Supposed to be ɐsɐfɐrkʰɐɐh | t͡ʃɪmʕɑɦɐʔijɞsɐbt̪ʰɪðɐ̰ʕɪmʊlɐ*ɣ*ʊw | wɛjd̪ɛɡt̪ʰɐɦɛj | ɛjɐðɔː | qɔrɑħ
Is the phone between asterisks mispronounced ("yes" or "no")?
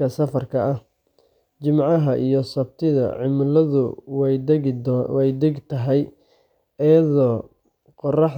yes